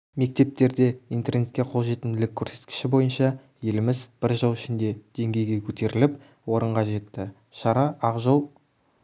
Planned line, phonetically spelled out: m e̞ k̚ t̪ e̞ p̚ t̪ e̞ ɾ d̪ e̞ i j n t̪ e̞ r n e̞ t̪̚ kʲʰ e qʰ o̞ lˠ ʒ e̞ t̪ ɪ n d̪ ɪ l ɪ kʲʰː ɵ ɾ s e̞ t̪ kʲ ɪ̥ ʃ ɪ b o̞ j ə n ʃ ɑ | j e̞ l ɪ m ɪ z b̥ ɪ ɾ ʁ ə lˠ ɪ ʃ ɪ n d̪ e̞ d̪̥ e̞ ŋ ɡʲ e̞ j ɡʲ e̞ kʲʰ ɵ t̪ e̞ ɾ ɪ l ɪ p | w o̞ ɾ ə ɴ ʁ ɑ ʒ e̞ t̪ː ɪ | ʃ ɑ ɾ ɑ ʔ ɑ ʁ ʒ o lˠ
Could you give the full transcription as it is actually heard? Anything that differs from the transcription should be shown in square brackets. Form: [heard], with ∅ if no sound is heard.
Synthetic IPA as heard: m e̞ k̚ t̪ e̞ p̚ t̪ e̞ ɾ d̪ e̞ i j n t̪ e̞ r n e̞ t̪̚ [kʲ] e qʰ o̞ lˠ ʒ e̞ t̪ ɪ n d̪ ɪ l ɪ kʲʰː ɵ ɾ s e̞ t̪ kʲ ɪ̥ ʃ ɪ b o̞ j ə n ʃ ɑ | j e̞ l ɪ m ɪ z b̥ ɪ ɾ [ʒ] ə lˠ ɪ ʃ ɪ n d̪ e̞ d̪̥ e̞ ŋ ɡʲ e̞ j ɡʲ e̞ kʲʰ ɵ t̪ e̞ ɾ ɪ l ɪ p | w o̞ ɾ ə ɴ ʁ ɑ ʒ e̞ t̪ː ɪ | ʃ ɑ ɾ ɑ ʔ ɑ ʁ ʒ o lˠ